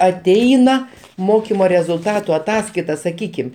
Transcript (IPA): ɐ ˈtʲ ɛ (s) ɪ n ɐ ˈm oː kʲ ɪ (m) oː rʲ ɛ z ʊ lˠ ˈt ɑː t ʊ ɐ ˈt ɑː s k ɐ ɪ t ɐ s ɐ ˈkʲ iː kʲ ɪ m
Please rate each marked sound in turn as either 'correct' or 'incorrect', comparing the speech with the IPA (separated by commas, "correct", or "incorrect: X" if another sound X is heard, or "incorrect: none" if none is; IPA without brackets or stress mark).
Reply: incorrect: none, correct